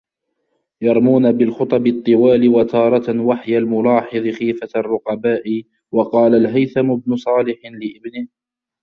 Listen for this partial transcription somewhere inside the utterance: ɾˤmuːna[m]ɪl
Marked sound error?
yes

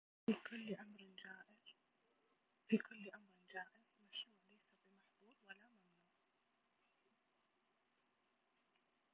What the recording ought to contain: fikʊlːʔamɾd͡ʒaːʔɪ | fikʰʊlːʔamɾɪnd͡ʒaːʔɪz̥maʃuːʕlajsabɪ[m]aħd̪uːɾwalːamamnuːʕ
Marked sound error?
no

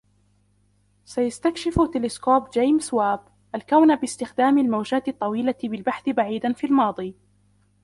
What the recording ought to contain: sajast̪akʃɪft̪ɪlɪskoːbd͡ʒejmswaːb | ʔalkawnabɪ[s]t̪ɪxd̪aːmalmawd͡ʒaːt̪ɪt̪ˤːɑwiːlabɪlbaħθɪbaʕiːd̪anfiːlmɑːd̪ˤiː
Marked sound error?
no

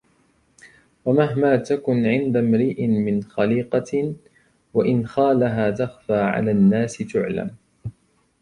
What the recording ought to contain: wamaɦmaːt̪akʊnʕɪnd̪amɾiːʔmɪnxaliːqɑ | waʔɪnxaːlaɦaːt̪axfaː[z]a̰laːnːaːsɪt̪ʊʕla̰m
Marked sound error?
yes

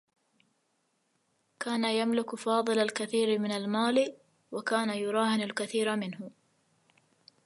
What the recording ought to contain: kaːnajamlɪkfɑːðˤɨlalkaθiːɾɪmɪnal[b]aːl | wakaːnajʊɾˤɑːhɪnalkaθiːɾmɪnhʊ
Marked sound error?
yes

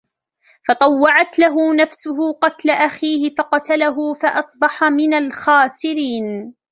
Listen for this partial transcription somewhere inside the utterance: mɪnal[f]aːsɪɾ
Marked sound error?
yes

